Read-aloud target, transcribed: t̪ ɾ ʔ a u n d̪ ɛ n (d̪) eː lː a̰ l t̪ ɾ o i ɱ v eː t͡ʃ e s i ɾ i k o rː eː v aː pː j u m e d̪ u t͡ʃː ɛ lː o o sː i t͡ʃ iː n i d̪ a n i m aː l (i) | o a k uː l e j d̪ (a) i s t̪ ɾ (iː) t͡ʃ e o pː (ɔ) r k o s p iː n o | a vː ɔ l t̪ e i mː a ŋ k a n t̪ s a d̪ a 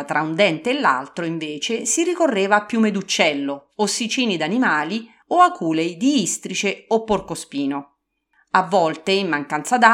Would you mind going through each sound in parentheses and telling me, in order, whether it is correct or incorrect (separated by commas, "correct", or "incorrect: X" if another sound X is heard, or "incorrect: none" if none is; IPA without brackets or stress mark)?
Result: incorrect: t̪, correct, incorrect: i, incorrect: i, incorrect: o